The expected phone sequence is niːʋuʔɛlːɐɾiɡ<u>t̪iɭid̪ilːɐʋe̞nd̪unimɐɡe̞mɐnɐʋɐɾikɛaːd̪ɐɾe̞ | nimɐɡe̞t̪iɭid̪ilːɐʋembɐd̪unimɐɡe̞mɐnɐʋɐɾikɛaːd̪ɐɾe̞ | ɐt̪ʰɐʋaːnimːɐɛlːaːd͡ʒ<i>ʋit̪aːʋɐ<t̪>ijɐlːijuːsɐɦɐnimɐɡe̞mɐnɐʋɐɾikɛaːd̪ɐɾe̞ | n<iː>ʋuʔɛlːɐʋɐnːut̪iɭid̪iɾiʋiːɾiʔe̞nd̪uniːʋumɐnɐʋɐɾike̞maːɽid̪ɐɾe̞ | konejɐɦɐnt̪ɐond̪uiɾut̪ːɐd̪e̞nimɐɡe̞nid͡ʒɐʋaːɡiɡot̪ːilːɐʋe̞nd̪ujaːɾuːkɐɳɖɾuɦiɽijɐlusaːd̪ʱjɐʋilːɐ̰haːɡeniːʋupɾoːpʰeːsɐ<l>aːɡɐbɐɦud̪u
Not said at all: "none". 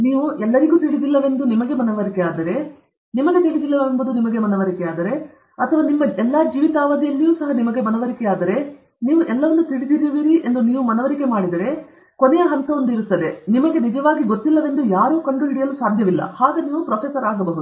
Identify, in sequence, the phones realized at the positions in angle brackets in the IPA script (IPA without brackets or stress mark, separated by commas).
uː, iː, d̪, iː, ɾ